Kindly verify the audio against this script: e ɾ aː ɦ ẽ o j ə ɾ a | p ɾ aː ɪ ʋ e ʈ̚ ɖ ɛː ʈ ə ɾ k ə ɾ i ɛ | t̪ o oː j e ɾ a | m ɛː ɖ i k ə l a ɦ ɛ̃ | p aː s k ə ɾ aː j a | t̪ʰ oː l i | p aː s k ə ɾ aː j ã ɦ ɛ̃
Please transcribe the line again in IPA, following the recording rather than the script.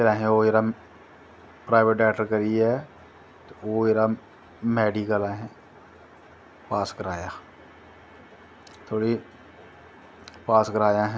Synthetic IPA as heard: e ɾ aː ɦ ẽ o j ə ɾ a | p ɾ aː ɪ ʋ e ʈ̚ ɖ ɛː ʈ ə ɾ k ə ɾ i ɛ | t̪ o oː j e ɾ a | m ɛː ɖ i k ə l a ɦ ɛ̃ | p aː s k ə ɾ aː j a | t̪ʰ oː ɽ i | p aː s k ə ɾ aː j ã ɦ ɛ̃